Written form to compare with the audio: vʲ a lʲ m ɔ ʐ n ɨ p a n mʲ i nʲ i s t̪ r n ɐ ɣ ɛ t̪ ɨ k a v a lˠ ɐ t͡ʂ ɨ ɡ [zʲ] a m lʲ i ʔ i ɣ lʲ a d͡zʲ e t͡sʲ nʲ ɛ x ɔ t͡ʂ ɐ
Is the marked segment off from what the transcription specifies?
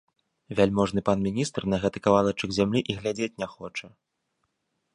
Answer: no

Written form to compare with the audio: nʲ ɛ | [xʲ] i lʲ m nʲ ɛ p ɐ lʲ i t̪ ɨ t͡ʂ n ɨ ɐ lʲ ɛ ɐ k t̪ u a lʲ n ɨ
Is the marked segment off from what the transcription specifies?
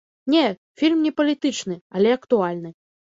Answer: yes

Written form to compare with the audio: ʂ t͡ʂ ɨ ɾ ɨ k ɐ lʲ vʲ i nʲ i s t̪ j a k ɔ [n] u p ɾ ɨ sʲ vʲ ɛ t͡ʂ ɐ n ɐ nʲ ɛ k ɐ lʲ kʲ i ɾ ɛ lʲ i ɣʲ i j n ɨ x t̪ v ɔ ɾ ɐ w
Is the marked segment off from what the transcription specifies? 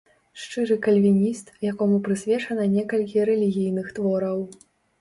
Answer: yes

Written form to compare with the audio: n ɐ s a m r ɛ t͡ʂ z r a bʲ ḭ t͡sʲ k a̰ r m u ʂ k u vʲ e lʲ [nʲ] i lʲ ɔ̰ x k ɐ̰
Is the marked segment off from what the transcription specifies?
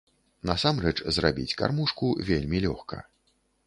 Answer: yes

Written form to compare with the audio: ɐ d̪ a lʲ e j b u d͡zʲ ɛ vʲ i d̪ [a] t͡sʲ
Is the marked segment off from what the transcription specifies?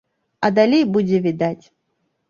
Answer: no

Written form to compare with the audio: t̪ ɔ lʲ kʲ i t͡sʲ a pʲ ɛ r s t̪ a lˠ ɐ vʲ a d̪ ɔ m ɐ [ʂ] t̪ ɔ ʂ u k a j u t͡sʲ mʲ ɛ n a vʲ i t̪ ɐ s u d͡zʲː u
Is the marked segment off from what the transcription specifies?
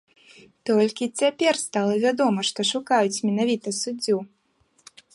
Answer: no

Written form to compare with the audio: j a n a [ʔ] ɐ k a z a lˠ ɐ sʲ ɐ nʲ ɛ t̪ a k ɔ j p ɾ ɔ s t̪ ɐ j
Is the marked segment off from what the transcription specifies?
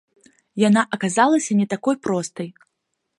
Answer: no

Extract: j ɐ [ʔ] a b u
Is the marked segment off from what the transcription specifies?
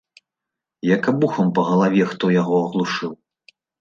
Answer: yes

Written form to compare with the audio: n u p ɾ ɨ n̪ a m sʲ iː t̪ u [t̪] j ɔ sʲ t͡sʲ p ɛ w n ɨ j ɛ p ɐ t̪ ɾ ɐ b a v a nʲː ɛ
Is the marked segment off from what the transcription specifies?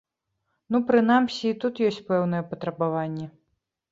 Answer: no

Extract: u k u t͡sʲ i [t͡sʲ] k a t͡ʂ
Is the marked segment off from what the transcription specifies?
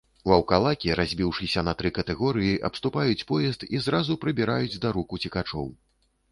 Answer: yes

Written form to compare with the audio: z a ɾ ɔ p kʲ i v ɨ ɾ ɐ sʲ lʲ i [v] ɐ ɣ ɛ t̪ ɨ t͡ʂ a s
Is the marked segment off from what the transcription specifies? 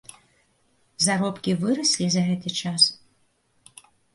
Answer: yes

